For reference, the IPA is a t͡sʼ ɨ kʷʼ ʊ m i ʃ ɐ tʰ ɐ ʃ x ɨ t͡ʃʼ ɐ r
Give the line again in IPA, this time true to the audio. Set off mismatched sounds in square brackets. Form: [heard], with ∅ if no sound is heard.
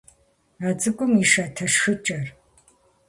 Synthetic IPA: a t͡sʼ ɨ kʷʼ ʊ m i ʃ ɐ tʰ ɐ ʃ x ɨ t͡ʃʼ ɐ r